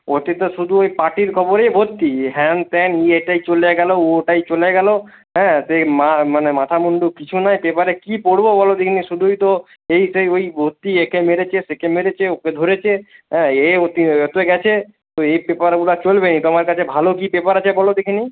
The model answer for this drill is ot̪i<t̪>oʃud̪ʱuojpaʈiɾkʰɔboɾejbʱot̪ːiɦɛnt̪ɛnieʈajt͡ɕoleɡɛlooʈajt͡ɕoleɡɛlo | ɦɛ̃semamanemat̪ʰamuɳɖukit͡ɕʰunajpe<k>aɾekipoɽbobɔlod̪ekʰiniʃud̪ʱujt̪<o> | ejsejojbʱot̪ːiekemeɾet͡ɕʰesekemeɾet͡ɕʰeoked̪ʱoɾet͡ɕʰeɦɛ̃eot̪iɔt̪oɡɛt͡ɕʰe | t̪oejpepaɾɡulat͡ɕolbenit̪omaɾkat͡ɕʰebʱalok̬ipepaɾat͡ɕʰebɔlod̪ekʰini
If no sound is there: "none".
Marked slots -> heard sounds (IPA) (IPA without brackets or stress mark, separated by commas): t̪, p, o